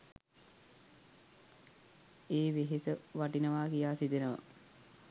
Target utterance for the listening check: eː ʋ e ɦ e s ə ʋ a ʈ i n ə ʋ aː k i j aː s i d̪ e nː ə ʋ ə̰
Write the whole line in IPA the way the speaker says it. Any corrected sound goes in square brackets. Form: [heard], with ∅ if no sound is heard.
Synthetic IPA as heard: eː ʋ e ɦ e s ə ʋ a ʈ i n ə ʋ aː k i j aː s i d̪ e [n] ə ʋ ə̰